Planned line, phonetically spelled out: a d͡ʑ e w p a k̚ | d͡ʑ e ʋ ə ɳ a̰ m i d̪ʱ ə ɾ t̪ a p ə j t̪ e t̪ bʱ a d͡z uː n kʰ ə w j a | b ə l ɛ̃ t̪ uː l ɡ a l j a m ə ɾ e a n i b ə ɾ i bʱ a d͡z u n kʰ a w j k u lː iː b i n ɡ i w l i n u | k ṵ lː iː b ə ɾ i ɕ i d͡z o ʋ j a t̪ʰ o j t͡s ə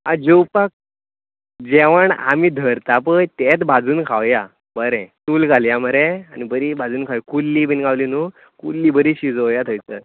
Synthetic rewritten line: a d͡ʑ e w p a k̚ | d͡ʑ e ʋ ə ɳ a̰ m i d̪ʱ ə ɾ t̪ a p ə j t̪ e t̪ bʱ a d͡z uː n kʰ a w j a | b ə ɾ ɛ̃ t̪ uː l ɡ a l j a m ə ɾ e a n i b ə ɾ i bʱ a d͡z uː n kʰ a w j k u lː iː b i n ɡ a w l i n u | k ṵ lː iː b ə ɾ i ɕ i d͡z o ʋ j a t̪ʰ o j t͡s ə